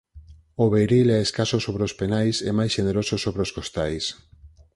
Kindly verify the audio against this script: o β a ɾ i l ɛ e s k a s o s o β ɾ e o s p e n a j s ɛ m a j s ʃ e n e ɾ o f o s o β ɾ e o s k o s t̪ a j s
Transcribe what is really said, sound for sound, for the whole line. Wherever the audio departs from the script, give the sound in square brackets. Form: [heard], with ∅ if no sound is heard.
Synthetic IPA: o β [e] ɾ i l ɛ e s k a s o s o β ɾ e o s p e n a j s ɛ m a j s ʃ e n e ɾ o [s] o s o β ɾ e o s k o s t̪ a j s